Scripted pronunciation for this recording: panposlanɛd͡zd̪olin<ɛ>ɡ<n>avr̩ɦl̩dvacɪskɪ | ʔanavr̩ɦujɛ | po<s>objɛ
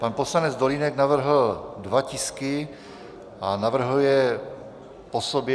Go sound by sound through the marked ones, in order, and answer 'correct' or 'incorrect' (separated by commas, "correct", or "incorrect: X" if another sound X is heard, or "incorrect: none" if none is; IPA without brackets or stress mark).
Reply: correct, correct, correct